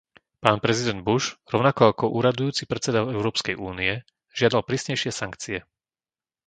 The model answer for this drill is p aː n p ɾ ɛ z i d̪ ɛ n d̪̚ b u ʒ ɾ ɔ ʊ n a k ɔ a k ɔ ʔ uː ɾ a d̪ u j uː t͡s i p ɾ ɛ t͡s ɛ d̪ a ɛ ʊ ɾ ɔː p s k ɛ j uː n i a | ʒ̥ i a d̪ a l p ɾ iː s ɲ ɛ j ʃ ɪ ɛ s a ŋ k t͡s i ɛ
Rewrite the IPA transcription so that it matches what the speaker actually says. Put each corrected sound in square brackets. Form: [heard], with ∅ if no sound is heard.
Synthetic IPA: p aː n p ɾ ɛ z i d̪ ɛ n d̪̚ b u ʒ ɾ ɔ ʊ n a k ɔ a k ɔ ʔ uː ɾ a d̪ u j uː t͡s i p ɾ ɛ t͡s ɛ d̪ a ɛ ʊ ɾ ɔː p s k ɛ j uː n i [ɛ] | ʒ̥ [ɪ] a d̪ a l p ɾ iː s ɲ ɛ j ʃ ɪ ɛ s a ŋ k t͡s i ɛ